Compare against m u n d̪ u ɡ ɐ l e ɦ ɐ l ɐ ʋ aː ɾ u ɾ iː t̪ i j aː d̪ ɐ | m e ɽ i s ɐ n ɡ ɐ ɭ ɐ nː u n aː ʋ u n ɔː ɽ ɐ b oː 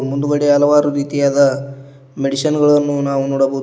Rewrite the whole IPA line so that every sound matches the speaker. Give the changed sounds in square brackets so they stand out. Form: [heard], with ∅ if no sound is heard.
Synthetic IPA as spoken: m u n d̪ u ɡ ɐ [ɽ] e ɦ ɐ l ɐ ʋ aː ɾ u ɾ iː t̪ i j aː d̪ ɐ | m e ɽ i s ɐ n ɡ ɐ ɭ ɐ nː u n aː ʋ u n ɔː ɽ ɐ b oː